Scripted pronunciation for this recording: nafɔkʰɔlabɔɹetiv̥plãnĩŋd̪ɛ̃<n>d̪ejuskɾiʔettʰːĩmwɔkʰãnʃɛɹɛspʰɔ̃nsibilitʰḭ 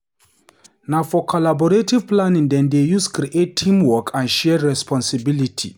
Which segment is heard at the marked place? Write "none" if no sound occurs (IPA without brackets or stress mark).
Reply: n